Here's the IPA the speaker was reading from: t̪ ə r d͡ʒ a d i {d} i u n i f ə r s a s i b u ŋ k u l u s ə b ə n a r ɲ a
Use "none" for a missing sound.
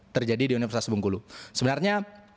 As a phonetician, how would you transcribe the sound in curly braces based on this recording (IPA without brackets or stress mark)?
d